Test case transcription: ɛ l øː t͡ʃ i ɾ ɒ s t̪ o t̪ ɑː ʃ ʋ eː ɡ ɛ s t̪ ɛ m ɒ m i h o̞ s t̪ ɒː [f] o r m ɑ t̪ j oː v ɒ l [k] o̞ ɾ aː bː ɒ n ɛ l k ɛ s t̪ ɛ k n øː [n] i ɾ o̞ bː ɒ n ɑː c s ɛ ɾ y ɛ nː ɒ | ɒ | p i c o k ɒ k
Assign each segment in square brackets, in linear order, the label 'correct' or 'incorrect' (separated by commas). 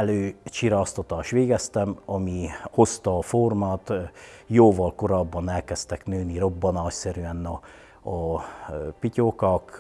correct, correct, correct